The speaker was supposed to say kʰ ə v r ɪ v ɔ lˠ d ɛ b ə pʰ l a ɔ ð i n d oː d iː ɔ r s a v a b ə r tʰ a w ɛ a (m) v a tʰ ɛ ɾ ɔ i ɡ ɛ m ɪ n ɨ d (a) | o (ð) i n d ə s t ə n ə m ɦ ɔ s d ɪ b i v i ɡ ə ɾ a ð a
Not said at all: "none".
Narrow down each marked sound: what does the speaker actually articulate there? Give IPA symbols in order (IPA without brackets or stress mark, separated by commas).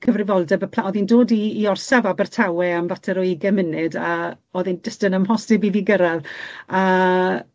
m, a, ð